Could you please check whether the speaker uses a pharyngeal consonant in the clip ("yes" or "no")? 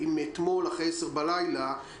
no